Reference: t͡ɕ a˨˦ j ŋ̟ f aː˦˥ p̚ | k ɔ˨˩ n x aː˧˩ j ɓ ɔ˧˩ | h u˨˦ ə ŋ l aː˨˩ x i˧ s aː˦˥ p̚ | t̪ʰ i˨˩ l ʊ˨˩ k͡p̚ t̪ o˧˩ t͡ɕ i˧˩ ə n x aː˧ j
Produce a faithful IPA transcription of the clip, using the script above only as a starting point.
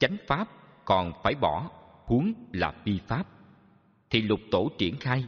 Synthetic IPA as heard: t͡ɕ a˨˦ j ŋ̟ f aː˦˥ p̚ | k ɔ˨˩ n f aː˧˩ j ɓ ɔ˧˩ | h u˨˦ ə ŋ l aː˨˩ f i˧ f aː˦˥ p̚ | t̪ʰ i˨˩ l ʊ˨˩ k͡p̚ t̪ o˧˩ t͡ɕ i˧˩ ə n x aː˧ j